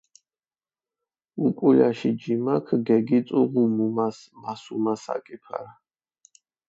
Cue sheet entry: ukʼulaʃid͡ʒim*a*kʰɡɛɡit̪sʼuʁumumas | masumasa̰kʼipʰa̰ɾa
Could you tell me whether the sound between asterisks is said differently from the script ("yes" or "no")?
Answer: no